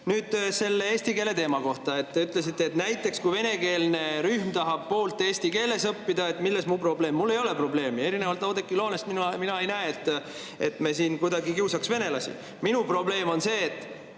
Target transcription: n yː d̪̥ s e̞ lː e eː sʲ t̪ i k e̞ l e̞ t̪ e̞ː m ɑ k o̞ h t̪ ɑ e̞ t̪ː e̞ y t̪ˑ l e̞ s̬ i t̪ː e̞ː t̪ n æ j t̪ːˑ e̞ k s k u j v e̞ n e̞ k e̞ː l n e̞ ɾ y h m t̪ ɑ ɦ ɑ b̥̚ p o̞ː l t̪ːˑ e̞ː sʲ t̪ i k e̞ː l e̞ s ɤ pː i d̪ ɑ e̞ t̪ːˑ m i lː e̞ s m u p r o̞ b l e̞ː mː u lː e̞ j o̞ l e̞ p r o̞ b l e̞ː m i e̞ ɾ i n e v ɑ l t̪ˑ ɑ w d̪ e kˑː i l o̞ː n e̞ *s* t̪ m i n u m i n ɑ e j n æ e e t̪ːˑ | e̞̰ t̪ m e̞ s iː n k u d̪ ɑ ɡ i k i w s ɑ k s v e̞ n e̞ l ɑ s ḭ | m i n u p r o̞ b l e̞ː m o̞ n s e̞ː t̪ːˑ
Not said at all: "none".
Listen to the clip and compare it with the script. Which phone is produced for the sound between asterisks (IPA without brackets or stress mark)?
s